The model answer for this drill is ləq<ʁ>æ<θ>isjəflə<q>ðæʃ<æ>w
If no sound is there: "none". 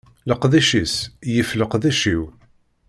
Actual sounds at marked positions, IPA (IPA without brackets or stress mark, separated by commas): ð, ʃ, q, i